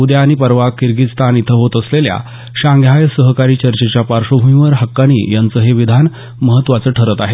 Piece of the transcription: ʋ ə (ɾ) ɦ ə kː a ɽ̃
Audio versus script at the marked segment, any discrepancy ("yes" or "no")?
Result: no